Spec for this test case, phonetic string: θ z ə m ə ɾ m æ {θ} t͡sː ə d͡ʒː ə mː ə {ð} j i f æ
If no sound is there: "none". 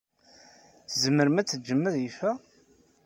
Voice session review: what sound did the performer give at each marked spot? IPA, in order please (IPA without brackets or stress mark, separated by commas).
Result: none, ð